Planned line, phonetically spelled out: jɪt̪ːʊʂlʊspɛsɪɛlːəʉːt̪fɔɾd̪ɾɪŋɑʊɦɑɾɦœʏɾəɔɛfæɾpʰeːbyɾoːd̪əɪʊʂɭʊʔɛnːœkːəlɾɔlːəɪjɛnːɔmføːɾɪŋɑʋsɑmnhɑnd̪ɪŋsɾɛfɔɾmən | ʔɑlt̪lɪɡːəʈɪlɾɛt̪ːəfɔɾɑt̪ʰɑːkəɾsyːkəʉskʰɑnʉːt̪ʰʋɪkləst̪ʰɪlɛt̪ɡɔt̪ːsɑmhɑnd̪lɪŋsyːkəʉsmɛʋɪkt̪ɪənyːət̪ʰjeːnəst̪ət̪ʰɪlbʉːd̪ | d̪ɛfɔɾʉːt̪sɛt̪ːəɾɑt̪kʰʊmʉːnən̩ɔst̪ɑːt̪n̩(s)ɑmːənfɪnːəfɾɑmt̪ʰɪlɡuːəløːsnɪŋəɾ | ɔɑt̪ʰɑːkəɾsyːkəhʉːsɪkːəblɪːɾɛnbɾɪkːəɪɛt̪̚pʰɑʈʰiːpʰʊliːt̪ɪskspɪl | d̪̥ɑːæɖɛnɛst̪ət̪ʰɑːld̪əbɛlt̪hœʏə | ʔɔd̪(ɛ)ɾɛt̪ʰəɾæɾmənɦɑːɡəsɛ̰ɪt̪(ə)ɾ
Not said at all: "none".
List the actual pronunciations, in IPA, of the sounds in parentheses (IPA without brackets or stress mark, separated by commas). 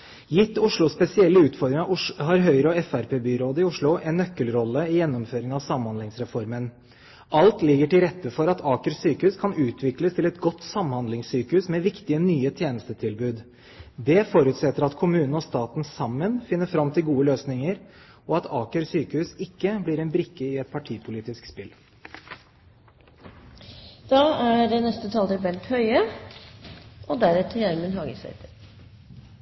s, æ, ə